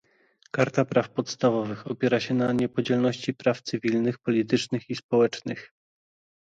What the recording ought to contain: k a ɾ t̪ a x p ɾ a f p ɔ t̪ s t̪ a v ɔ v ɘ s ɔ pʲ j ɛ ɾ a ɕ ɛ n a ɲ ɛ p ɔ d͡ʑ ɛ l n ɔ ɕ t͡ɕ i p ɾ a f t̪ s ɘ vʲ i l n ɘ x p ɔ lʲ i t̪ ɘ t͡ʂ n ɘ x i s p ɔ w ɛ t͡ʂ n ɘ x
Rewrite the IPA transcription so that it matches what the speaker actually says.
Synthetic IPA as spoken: k a ɾ t̪ a p ɾ a f p ɔ t̪ s t̪ a v ɔ v ɘ x ɔ pʲ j ɛ ɾ a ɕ ɛ n a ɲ ɛ p ɔ d͡ʑ ɛ l n ɔ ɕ t͡ɕ i p ɾ a f t̪ s ɘ vʲ i l n ɘ x p ɔ lʲ i t̪ ɘ t͡ʂ n ɘ x i s p ɔ w ɛ t͡ʂ n ɘ x